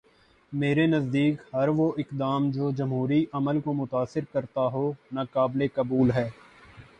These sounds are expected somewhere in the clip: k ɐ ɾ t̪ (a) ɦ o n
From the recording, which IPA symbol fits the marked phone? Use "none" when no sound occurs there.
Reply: a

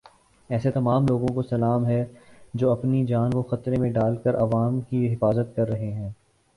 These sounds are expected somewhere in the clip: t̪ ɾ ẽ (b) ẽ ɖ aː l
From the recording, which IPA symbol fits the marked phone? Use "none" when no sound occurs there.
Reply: m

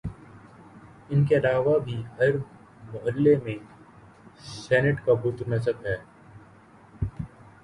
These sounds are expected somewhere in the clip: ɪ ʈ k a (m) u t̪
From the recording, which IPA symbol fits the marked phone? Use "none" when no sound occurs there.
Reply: b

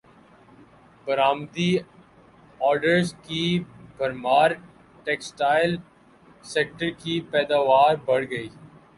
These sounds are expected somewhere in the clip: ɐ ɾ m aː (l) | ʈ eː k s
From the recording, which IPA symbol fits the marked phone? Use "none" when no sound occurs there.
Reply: ɾ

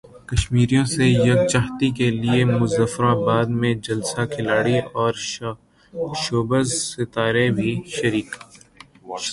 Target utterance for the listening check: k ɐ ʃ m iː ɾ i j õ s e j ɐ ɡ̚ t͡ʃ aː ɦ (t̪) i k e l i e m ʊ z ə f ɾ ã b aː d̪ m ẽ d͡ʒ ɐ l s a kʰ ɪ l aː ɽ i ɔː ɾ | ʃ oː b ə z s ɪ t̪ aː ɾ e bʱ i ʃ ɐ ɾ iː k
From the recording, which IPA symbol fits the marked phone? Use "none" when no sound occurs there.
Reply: t̪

